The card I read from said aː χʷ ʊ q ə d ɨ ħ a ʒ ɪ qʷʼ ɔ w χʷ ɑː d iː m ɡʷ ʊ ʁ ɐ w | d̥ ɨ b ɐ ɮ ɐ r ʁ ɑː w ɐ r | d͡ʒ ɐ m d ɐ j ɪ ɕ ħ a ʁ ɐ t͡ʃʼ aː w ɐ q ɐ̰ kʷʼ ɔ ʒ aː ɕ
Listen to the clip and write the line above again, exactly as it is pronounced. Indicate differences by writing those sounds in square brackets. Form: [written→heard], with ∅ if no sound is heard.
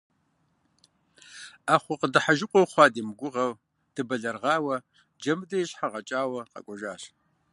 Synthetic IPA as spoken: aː χʷ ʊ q ə d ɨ ħ a ʒ ɪ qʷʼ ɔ w χʷ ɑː d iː m ɡʷ ʊ ʁ ɐ w | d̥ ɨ b ɐ ɮ ɐ r ʁ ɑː w ɐ [r→∅] | d͡ʒ ɐ m d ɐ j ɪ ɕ ħ a ʁ ɐ t͡ʃʼ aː w ɐ q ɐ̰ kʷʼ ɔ ʒ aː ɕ